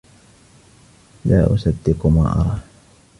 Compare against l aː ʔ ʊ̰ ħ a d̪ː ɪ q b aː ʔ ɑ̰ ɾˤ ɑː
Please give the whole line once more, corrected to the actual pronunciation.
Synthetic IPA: l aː ʔ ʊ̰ s a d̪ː ɪ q m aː ʔ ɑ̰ ɾˤ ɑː